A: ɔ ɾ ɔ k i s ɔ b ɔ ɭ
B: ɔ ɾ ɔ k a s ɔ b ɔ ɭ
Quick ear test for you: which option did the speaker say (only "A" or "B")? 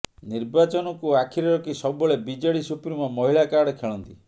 A